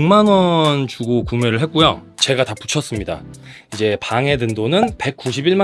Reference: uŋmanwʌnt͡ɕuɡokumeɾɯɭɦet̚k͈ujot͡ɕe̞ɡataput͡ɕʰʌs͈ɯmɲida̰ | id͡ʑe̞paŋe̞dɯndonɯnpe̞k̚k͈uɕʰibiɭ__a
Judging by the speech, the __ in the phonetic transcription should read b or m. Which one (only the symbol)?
m